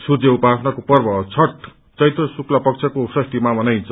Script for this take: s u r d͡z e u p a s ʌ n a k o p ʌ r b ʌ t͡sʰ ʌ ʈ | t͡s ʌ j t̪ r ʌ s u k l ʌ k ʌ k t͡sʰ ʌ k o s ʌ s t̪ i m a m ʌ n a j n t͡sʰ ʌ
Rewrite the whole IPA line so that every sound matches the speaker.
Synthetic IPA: s u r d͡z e u p a s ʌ n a k o p ʌ r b ʌ t͡sʰ ʌ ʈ | t͡s ʌ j t̪ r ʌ s u k l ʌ p ʌ k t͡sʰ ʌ k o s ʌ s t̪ i m a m ʌ n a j n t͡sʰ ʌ